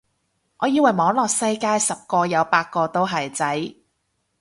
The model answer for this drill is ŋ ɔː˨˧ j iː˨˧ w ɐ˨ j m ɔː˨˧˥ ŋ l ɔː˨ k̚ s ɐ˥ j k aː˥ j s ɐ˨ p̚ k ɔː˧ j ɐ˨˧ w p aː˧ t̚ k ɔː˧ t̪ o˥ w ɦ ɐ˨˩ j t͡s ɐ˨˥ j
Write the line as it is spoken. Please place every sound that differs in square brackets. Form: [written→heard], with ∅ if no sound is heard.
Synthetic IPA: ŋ ɔː˨˧ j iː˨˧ w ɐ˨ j m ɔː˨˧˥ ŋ l ɔː˨ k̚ s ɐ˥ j k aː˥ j s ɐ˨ p̚ k ɔː˧ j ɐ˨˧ w p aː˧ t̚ k ɔː˧ t̪ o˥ w ɦ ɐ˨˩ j t͡s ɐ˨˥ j

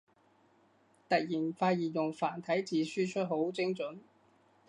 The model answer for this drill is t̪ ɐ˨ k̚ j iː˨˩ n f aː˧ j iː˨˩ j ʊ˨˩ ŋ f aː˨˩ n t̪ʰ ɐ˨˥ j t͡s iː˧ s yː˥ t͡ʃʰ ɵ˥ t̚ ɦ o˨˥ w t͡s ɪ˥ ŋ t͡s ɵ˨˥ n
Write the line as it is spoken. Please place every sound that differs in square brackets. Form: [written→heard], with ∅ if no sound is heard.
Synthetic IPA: t̪ ɐ˨ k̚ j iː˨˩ n f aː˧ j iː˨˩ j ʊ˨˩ ŋ f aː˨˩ n t̪ʰ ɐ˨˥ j t͡s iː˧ s yː˥ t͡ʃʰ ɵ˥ t̚ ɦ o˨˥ w t͡s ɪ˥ ŋ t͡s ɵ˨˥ n

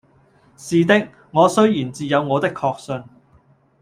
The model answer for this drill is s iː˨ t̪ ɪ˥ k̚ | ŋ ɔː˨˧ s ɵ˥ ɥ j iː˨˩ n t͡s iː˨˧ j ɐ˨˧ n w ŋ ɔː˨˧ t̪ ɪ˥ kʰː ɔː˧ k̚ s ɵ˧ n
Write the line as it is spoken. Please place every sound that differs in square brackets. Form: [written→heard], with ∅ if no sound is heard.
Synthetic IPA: s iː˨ t̪ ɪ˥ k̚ | ŋ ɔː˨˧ s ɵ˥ ɥ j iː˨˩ n t͡s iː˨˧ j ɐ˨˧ [n→∅] w ŋ ɔː˨˧ t̪ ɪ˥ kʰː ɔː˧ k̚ s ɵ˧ n

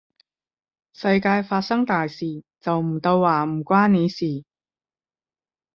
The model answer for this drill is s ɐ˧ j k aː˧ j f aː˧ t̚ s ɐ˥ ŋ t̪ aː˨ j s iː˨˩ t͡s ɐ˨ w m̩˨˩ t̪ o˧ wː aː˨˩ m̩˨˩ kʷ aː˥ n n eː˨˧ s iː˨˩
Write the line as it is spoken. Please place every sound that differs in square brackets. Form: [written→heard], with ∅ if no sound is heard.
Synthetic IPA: s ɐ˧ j k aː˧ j f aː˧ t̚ s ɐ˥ ŋ t̪ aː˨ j s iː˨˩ t͡s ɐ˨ w m̩˨˩ t̪ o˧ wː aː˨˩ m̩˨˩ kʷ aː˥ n n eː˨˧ s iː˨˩

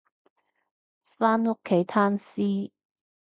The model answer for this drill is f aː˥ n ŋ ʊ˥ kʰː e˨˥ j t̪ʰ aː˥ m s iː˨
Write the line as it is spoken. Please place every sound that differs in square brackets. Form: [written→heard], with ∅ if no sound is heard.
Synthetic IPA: f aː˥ n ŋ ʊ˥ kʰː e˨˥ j t̪ʰ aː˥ [m→n] s [iː˨→iː˥]

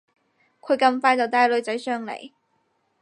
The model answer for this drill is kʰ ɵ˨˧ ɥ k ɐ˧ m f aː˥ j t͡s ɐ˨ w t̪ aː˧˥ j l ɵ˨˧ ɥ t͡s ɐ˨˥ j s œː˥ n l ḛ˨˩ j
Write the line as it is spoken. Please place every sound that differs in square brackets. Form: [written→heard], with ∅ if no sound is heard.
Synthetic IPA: kʰ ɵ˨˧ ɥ k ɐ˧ m f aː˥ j t͡s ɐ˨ w t̪ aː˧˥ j l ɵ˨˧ ɥ t͡s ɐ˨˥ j s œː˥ [n→ŋ] l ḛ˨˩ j

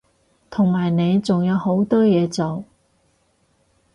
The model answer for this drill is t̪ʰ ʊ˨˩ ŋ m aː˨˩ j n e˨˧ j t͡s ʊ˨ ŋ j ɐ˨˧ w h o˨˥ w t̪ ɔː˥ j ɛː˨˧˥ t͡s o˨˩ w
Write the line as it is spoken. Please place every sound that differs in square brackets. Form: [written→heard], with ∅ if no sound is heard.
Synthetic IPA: t̪ʰ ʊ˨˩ ŋ m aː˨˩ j n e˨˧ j t͡s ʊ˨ ŋ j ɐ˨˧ w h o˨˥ w t̪ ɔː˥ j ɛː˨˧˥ t͡s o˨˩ w

